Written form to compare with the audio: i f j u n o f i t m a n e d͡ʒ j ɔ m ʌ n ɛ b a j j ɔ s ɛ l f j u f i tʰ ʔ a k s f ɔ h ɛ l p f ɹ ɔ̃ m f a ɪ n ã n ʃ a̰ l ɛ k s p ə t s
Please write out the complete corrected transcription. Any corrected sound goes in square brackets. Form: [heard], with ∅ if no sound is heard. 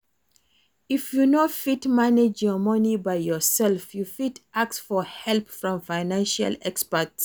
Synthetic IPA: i f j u n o f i t m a n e d͡ʒ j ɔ m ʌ n [i] b a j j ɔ s ɛ l f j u f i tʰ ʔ a k s f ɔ h ɛ l p f ɹ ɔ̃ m f a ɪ n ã n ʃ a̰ l ɛ k s p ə t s